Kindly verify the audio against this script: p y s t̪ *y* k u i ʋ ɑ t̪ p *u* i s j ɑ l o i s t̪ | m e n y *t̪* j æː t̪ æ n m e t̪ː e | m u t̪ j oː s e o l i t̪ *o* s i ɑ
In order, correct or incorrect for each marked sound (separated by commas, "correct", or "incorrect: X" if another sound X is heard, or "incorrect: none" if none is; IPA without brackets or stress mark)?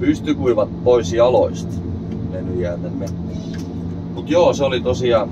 correct, incorrect: o, incorrect: none, correct